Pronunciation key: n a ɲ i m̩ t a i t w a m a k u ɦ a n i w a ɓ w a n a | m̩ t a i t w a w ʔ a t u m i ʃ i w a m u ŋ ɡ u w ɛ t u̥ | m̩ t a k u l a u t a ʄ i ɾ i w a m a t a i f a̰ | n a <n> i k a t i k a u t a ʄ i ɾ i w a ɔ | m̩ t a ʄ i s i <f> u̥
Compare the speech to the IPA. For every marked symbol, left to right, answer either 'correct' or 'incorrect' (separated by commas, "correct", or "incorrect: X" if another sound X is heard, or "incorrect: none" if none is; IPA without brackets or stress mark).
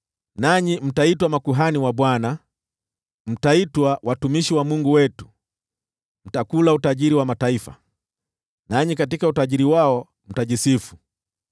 incorrect: ɲ, correct